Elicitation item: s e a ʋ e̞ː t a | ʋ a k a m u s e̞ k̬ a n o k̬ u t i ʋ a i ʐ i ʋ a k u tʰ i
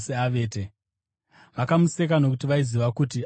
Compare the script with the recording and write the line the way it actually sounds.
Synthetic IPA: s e a ʋ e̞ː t e | ʋ a k a m u s e̞ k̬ a n o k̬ u t i ʋ a i z i ʋ a k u t i